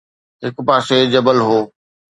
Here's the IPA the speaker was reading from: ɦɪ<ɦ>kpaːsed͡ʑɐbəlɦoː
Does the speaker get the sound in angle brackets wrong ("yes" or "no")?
yes